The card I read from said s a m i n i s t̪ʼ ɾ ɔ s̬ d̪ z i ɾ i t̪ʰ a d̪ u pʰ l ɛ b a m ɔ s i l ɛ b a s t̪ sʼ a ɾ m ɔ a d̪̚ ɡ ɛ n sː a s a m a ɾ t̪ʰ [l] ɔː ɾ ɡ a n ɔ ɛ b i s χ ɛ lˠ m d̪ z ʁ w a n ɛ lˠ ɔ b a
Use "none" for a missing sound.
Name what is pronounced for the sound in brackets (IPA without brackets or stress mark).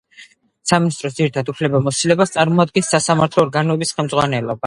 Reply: l